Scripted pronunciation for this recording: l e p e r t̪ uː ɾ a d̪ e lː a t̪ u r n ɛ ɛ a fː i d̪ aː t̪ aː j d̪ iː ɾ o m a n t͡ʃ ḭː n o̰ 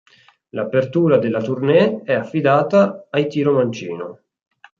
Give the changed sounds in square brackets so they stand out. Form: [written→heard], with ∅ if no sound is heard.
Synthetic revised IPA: l [e→a] p e r t̪ uː ɾ a d̪ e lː a t̪ u r n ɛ ɛ a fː i d̪ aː t̪ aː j [d̪→t̪] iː ɾ o m a n t͡ʃ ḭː n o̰